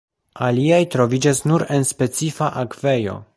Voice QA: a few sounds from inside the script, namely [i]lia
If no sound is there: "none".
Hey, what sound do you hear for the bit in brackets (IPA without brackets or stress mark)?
a